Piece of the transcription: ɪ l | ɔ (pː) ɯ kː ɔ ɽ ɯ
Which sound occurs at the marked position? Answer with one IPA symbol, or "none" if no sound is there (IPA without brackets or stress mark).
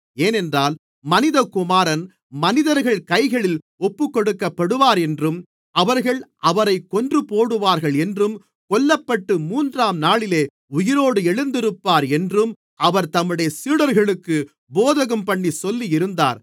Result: pː